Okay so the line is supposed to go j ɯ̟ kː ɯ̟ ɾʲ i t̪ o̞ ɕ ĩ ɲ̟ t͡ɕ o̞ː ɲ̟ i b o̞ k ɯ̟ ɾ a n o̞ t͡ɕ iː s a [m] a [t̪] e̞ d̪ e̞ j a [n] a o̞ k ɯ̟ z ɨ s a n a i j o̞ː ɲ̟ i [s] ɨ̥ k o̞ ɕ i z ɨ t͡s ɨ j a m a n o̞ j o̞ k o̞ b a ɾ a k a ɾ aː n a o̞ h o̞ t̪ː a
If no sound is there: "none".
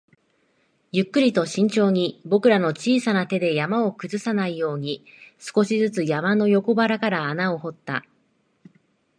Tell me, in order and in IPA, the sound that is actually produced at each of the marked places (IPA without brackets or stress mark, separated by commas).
n, t̪, m, s